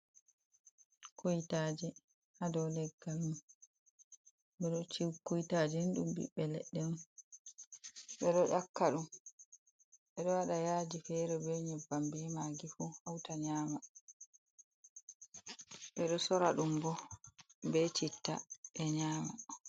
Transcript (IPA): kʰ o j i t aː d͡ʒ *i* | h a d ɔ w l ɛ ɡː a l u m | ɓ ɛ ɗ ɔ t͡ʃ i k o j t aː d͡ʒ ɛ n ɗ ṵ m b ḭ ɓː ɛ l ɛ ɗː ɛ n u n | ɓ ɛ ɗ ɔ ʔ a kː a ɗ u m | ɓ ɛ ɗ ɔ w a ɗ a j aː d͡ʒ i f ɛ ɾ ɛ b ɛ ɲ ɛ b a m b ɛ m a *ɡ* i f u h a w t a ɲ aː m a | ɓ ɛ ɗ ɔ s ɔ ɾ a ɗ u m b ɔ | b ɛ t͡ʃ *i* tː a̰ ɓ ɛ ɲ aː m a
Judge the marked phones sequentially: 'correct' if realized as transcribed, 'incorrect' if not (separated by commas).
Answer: incorrect, correct, correct